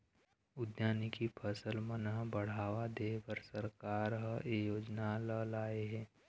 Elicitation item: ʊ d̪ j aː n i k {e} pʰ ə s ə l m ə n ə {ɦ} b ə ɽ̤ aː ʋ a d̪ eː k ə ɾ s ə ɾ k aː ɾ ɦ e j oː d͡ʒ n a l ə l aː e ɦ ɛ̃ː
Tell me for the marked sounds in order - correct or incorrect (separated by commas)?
incorrect, correct